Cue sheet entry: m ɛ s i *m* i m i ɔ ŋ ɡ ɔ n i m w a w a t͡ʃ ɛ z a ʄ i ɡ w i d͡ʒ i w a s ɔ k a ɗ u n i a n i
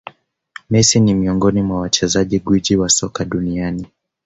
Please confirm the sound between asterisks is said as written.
no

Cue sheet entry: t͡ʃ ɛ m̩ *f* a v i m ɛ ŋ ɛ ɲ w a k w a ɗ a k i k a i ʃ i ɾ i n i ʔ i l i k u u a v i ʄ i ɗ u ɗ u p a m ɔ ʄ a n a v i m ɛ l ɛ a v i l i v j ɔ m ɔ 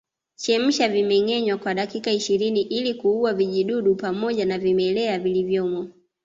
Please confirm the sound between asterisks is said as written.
no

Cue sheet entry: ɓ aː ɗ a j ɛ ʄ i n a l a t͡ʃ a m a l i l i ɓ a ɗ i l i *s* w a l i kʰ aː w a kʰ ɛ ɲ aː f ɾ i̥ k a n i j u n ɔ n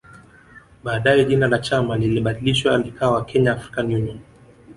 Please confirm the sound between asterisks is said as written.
no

